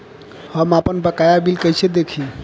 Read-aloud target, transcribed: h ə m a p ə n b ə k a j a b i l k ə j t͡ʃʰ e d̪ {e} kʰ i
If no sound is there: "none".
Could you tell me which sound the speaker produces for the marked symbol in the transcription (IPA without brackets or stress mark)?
e